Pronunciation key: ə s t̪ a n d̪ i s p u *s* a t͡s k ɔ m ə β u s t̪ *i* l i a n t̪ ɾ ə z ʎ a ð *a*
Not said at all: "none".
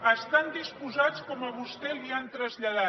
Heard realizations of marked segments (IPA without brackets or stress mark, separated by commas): z, ɛ, a